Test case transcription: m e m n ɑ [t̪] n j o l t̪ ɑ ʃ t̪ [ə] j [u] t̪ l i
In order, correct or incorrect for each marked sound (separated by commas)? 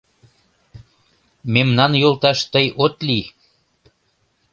incorrect, correct, incorrect